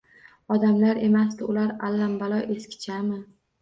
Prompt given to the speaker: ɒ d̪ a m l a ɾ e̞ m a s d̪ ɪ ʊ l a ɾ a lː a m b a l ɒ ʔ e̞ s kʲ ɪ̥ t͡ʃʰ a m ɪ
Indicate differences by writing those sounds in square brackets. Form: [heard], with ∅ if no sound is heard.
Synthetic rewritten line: ɒ d̪ a m l a ɾ e̞ m a s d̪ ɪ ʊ l a ɾ a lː a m b a l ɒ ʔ e̞ s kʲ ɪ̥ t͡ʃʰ a m ɪ